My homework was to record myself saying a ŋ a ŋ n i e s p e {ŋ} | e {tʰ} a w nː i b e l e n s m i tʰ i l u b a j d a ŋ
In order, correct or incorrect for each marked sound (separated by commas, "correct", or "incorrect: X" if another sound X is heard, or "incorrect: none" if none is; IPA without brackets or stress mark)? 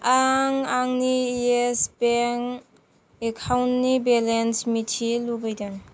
correct, incorrect: kʰ